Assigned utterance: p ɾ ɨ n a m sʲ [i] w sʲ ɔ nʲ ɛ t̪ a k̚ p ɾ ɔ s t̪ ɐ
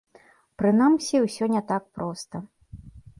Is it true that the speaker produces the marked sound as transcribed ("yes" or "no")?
yes